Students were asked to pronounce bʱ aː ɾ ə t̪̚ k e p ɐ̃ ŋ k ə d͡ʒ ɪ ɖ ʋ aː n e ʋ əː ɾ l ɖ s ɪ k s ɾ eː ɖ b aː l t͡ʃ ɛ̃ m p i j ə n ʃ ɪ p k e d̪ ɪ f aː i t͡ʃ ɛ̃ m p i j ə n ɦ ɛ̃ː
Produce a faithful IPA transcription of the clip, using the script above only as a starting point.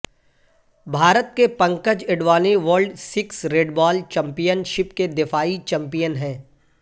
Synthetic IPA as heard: bʱ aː ɾ ə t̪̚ k e p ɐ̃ ŋ k ə d͡ʒ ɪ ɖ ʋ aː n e ʋ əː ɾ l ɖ s ɪ k s ɾ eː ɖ b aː l t͡ʃ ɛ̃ m p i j ə n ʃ ɪ p k e d̪ ɪ f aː i t͡ʃ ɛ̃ m p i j ə n ɦ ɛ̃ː